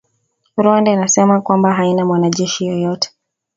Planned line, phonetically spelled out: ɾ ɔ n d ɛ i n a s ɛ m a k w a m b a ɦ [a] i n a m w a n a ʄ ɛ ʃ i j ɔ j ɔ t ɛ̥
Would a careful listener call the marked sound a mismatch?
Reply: no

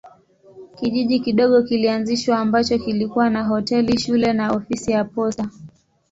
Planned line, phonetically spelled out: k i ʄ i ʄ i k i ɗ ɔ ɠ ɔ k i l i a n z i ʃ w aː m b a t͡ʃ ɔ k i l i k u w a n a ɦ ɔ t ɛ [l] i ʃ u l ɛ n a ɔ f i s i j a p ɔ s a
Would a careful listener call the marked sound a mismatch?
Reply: no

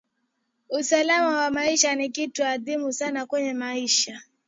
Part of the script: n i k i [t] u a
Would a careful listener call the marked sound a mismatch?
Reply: no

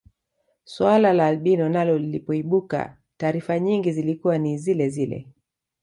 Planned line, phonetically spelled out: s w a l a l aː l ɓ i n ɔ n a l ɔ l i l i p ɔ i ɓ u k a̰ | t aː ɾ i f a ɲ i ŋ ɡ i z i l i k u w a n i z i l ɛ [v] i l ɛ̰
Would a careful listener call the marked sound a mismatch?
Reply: yes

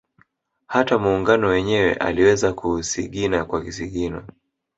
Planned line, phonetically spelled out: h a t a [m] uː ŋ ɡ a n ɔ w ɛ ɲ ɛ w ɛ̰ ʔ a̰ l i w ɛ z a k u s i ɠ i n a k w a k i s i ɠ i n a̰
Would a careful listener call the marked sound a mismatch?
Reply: no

